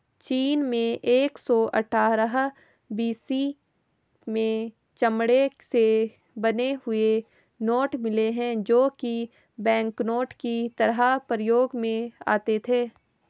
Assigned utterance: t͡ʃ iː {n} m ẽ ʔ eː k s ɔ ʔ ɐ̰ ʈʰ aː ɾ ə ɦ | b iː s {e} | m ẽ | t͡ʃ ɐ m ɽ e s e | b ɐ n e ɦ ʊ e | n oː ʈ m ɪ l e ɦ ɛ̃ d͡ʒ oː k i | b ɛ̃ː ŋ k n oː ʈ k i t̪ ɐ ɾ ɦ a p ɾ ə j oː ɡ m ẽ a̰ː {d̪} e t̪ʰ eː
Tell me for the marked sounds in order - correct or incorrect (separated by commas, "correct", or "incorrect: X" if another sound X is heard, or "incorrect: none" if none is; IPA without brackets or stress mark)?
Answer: correct, incorrect: i, incorrect: t̪